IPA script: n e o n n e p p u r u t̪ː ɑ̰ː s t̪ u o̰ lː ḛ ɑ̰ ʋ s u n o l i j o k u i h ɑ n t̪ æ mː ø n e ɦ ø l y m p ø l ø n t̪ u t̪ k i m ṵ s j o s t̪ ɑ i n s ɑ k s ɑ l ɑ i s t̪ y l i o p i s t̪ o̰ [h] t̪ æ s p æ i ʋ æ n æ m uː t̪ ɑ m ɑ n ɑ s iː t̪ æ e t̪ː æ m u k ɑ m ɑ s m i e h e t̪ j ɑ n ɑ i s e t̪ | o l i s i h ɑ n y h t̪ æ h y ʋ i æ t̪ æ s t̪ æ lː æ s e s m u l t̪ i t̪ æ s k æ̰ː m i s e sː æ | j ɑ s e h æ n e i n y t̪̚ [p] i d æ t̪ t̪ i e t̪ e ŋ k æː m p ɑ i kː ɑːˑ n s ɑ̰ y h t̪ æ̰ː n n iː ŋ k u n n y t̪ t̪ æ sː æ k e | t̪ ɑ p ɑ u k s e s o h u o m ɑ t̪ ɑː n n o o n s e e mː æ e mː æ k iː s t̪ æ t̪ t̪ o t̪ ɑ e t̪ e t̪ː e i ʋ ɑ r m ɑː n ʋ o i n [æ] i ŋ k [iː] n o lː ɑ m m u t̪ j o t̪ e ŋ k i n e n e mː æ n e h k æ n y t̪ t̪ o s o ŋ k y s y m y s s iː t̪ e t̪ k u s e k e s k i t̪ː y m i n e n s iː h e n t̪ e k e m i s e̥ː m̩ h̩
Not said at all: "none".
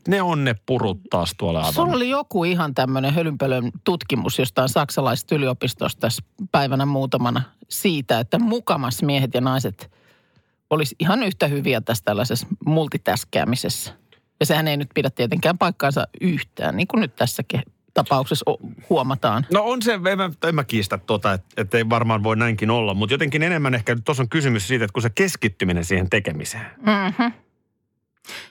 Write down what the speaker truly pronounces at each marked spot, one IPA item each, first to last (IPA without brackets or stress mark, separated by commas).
s, p, æ, i